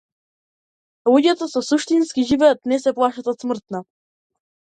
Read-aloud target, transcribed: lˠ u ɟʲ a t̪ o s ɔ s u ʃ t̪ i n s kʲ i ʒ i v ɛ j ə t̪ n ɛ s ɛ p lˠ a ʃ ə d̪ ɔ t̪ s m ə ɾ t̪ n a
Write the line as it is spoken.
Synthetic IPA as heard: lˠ u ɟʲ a t̪ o s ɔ s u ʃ t̪ i n s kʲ i ʒ i v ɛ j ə t̪ n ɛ s ɛ p lˠ a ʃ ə t̪ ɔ t̪ s m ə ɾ t̪ n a